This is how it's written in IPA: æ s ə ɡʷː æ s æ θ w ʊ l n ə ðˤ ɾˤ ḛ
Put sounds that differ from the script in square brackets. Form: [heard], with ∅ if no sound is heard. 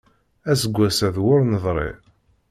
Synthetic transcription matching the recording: æ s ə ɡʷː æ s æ [ð] w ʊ [ɾ] n ə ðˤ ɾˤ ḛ